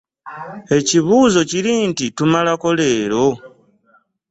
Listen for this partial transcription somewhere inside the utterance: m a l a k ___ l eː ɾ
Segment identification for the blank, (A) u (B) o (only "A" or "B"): B